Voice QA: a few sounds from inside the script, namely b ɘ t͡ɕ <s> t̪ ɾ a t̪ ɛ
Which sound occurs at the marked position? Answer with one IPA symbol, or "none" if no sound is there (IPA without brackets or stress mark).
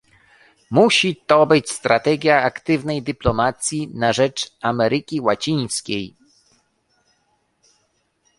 s